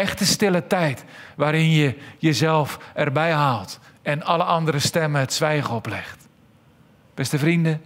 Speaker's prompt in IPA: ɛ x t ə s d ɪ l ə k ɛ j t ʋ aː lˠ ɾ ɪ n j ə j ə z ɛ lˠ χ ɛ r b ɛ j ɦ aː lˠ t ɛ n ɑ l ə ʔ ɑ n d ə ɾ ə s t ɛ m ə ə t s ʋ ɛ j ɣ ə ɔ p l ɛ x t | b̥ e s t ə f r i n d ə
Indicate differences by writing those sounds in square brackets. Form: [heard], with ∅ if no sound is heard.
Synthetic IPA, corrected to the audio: ɛ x t ə s [t] ɪ l ə [t] ɛ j t ʋ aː [∅] ɾ ɪ n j ə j ə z ɛ lˠ [f] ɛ r b ɛ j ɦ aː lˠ t ɛ n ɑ l ə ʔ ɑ n d ə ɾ ə s t ɛ m ə ə t s ʋ ɛ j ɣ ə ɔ p l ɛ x t | b̥ [ɛ] s t ə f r i n d ə